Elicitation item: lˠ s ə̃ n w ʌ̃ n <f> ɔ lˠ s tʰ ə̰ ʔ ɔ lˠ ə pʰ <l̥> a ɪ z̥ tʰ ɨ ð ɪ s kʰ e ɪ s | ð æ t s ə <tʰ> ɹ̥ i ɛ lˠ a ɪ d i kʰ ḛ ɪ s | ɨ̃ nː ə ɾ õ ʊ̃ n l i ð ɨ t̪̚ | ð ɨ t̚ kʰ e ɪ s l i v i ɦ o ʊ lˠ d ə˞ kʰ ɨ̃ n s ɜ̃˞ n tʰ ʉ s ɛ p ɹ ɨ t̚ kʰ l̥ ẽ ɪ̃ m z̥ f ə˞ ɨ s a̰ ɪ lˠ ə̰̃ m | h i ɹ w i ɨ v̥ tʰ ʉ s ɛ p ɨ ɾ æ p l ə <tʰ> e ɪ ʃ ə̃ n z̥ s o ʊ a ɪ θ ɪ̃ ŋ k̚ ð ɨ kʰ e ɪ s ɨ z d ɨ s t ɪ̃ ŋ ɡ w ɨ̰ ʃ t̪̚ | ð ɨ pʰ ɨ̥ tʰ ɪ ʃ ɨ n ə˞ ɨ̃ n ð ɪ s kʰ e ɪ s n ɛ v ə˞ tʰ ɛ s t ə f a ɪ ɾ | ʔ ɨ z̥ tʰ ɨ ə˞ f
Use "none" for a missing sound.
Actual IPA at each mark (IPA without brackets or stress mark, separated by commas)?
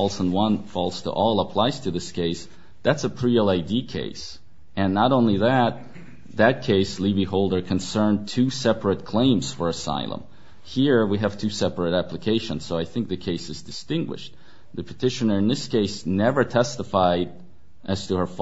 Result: f, l̥, pʰ, kʰ